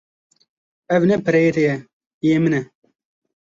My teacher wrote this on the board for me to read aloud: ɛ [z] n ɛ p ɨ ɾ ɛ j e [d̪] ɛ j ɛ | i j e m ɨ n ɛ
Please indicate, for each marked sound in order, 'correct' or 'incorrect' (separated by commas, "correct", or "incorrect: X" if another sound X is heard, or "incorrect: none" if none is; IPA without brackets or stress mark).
incorrect: v, incorrect: t̪